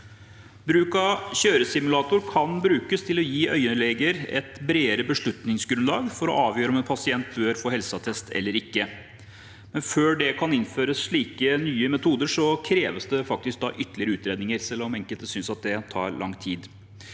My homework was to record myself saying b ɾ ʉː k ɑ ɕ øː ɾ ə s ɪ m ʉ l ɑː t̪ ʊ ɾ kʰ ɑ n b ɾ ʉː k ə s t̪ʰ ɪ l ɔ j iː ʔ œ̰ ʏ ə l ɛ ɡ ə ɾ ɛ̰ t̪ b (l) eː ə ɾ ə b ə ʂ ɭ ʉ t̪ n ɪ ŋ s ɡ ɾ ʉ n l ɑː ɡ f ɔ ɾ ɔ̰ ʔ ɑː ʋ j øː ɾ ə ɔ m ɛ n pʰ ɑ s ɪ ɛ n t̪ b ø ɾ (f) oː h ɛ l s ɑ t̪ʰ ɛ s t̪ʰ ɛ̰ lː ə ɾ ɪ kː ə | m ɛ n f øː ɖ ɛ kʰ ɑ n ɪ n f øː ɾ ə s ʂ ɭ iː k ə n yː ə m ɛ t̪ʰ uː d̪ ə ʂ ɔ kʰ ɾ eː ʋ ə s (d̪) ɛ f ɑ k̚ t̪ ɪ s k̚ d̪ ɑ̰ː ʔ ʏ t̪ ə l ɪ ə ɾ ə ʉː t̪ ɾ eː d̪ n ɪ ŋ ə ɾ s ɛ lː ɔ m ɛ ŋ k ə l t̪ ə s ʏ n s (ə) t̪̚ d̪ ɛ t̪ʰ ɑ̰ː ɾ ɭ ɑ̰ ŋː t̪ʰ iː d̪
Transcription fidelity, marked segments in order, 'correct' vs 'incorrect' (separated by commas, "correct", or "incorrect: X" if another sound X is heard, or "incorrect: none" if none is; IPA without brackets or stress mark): incorrect: ɾ, correct, correct, incorrect: ɑ